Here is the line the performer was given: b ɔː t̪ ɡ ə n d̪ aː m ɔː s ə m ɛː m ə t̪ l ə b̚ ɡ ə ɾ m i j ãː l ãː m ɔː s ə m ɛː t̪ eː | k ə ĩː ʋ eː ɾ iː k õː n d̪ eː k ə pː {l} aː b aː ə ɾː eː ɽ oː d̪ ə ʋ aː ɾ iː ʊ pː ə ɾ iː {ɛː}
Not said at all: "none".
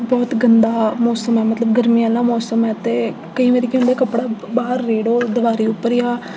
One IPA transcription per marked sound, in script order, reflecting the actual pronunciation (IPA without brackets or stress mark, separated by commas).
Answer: ɽ, aː